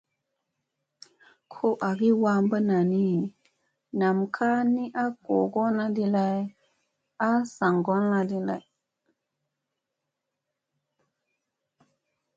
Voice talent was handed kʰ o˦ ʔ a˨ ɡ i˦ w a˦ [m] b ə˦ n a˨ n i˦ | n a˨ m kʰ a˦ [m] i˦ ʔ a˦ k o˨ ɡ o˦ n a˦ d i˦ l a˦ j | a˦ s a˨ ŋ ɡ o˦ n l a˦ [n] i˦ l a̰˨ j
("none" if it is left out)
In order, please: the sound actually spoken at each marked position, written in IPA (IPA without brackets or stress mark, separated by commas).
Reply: m, n, d